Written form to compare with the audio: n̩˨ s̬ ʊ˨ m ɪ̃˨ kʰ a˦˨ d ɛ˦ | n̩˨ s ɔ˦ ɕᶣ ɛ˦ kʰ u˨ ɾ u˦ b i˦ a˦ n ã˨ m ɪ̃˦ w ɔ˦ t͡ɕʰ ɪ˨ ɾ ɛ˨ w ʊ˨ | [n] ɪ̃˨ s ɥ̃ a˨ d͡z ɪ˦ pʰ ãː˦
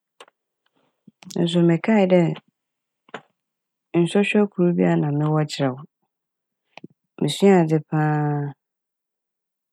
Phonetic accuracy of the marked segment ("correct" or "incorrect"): incorrect